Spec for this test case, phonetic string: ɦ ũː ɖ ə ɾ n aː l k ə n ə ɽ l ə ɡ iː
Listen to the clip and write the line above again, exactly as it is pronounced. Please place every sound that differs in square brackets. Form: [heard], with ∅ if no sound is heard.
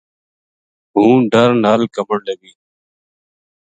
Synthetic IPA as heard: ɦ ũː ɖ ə ɾ n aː l k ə [m] ə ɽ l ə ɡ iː